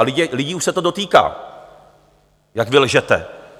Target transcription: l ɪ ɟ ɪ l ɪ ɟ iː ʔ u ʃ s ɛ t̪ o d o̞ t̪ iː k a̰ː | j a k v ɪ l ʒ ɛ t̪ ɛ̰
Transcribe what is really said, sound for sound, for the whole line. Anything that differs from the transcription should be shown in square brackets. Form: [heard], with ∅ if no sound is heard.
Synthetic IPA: l ɪ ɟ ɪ l ɪ ɟ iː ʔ u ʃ s ɛ t̪ o d o̞ t̪ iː k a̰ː | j a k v ɪ l ʒ ɛ t̪ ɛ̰